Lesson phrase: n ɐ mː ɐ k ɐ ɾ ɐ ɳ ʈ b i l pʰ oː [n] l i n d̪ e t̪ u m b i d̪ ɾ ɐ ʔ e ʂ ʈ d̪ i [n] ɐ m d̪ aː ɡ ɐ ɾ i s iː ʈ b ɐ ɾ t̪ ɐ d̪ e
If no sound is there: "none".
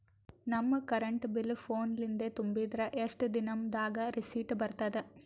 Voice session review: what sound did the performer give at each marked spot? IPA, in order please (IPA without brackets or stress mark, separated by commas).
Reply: n, n